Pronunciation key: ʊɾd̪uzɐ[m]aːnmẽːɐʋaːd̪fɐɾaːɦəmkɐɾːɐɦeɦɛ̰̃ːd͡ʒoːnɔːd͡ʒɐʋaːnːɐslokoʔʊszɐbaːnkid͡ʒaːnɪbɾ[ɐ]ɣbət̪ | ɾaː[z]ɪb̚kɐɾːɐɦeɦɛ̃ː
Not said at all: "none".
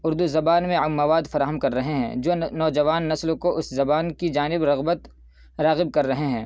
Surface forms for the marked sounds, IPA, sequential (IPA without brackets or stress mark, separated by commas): b, ɐ, ɣ